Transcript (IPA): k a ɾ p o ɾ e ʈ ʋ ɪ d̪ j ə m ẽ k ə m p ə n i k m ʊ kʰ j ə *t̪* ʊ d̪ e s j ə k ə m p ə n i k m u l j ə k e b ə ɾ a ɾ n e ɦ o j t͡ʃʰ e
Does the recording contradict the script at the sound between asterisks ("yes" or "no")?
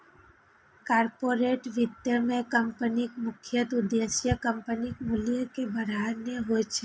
no